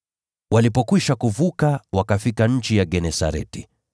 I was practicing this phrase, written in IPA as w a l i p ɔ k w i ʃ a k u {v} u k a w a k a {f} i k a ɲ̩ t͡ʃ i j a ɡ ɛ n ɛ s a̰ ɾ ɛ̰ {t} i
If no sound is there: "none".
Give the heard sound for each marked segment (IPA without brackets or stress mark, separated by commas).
v, f, t